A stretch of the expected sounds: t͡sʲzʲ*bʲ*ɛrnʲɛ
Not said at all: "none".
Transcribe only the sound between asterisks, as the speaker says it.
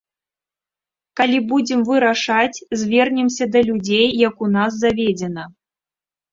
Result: vʲ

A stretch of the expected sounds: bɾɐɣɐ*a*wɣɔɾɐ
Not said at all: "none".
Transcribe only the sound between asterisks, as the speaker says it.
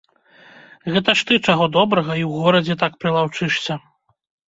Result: i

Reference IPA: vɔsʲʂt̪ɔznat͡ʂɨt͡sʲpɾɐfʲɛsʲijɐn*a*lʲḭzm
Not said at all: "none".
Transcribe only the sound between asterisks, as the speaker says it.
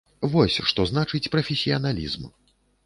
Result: a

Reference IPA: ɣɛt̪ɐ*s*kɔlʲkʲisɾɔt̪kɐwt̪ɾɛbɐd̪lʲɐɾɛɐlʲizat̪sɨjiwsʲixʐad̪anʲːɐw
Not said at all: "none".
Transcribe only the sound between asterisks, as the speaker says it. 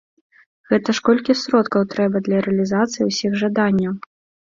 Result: ʂ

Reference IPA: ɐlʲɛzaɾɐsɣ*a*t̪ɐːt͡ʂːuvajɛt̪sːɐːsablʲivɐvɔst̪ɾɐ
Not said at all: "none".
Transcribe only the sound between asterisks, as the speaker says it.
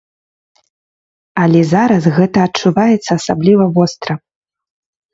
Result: ɛ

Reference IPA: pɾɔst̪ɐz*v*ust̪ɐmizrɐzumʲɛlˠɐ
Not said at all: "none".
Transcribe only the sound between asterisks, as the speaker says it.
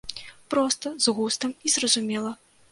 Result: ɣ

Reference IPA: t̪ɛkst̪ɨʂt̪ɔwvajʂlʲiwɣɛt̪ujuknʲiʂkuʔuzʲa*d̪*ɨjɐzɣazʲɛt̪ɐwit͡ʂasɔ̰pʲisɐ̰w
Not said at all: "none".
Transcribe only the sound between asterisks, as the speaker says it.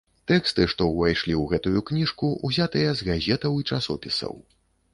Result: t̪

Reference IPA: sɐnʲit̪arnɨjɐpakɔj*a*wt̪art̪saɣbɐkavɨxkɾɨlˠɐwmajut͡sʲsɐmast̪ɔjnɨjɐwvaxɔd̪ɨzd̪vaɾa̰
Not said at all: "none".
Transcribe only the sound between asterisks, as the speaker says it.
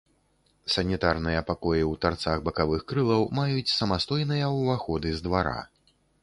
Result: i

